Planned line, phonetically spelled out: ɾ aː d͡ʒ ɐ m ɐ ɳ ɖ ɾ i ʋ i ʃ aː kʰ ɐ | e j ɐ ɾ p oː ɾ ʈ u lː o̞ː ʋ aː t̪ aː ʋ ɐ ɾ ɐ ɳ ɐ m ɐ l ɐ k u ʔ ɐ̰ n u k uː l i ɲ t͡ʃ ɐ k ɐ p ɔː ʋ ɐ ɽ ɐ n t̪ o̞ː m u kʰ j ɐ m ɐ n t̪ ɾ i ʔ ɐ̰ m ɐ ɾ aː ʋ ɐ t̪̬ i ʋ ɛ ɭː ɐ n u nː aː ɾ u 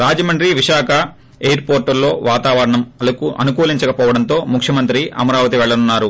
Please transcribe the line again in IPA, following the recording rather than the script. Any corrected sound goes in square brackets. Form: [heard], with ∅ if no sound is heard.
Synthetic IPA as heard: ɾ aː d͡ʒ ɐ m ɐ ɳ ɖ ɾ i ʋ i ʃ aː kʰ ɐ | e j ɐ ɾ p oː ɾ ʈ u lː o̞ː ʋ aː t̪ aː ʋ ɐ ɾ ɐ ɳ ɐ m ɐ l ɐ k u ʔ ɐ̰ n u k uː l i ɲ t͡ʃ ɐ k ɐ p ɔː ʋ ɐ ɽ ɐ n t̪ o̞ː m u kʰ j ɐ m ɐ n t̪ ɾ i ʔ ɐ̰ m ɐ ɾ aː ʋ ɐ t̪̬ i ʋ ɛ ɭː ɐ n u nː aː ɾ u